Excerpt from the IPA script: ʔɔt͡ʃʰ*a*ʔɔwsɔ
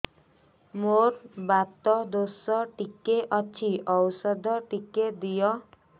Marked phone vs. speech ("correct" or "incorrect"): incorrect